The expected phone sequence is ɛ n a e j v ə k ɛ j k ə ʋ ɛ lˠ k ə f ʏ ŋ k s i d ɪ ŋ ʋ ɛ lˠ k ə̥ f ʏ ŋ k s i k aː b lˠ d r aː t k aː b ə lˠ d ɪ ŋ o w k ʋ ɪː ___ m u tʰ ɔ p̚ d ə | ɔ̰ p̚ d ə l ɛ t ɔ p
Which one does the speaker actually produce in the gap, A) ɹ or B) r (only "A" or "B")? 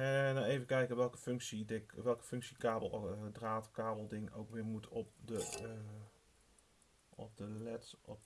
A